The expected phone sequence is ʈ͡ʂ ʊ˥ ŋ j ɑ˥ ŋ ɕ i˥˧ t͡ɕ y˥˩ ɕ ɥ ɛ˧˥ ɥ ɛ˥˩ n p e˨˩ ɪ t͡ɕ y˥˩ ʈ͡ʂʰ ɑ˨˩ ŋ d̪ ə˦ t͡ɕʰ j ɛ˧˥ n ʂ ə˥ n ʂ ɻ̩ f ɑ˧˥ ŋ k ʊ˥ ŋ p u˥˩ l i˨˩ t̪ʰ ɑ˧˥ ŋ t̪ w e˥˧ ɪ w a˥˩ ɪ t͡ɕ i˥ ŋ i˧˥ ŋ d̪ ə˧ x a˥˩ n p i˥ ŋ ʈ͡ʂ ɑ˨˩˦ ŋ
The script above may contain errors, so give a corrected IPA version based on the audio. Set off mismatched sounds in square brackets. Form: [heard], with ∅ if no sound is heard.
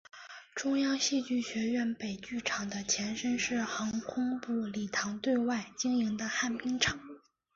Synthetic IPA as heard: ʈ͡ʂ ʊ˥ ŋ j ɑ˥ ŋ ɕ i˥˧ t͡ɕ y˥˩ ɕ ɥ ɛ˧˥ ɥ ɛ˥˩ n p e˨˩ ɪ t͡ɕ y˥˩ ʈ͡ʂʰ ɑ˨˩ ŋ d̪ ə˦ t͡ɕʰ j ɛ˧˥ n ʂ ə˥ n ʂ ɻ̩ [x] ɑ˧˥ ŋ [kʰ] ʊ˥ ŋ p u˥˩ l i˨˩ t̪ʰ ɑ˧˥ ŋ t̪ w e˥˧ ɪ w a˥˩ ɪ t͡ɕ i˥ ŋ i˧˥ ŋ d̪ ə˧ x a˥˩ n p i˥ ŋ [ʈ͡ʂʰ] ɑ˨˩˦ ŋ